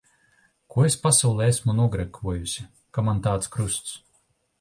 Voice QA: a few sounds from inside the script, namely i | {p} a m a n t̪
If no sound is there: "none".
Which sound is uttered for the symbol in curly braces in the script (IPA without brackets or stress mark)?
k